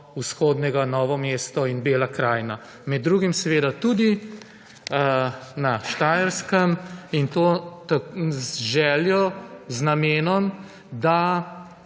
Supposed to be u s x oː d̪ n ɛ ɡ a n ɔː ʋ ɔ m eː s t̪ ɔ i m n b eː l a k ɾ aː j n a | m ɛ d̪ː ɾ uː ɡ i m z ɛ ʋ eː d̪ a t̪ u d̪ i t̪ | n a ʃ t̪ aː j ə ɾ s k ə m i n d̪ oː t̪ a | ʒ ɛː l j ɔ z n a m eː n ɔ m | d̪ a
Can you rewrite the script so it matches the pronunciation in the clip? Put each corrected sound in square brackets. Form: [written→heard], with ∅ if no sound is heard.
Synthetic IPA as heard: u s x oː d̪ n ɛ ɡ a n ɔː ʋ ɔ m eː s t̪ ɔ i [m→∅] n b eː l a k ɾ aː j n a | m ɛ d̪ː ɾ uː ɡ i m [z→s] ɛ ʋ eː d̪ a t̪ u d̪ i [t̪→∅] | n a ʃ t̪ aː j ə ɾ s k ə m i n [d̪→t̪] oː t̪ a | ʒ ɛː l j ɔ z n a m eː n ɔ m | d̪ a